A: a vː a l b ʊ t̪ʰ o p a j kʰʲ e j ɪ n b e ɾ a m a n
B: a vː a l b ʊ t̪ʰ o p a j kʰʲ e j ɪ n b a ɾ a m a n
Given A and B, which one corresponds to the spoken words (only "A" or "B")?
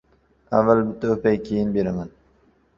A